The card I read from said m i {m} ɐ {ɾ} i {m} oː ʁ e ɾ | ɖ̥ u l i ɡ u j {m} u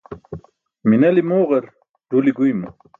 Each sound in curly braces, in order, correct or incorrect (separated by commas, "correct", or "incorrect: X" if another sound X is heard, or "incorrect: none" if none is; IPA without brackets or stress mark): incorrect: n, incorrect: l, correct, correct